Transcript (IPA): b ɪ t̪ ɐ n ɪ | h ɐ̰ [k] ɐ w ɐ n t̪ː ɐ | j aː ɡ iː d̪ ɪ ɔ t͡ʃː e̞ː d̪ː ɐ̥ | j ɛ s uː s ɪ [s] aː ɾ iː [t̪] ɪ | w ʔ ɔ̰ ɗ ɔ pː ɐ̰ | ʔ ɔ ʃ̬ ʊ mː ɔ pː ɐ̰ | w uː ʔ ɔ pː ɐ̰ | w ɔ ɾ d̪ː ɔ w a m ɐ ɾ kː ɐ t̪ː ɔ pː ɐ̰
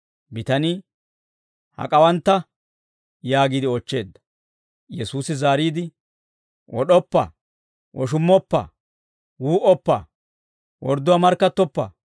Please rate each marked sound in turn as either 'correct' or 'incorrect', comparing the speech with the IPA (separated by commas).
incorrect, incorrect, incorrect